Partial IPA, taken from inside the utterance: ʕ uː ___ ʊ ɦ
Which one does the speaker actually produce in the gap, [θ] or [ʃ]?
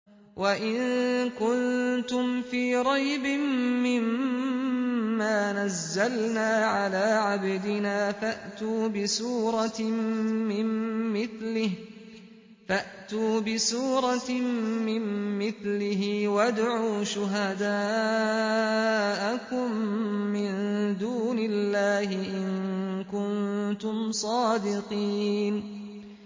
ʃ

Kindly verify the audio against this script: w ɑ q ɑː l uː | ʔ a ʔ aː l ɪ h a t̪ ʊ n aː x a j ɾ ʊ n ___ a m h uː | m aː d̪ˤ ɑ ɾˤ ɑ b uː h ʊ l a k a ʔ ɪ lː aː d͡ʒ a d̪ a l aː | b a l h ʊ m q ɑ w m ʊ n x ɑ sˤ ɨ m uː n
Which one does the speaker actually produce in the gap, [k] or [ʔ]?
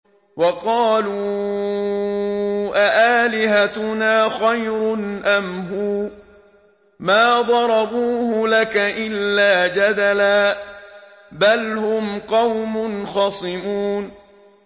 ʔ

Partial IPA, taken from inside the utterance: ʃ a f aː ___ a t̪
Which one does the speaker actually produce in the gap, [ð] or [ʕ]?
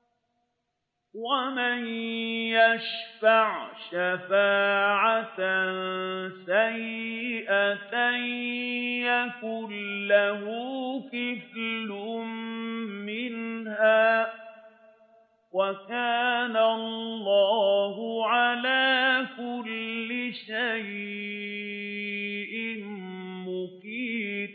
ʕ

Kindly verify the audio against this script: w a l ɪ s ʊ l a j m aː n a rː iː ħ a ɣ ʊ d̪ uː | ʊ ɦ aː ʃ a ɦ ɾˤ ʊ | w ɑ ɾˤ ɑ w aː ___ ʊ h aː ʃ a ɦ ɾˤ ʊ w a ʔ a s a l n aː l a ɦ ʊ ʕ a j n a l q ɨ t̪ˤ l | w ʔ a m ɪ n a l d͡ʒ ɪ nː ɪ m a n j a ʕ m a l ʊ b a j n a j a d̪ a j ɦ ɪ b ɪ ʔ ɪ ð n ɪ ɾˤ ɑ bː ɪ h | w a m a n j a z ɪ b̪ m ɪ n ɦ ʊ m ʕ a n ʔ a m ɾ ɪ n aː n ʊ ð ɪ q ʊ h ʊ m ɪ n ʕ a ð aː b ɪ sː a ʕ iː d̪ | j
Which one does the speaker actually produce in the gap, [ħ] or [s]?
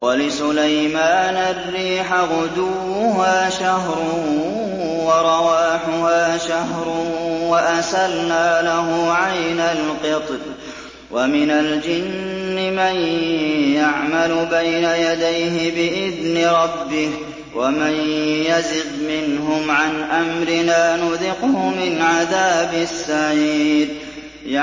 ħ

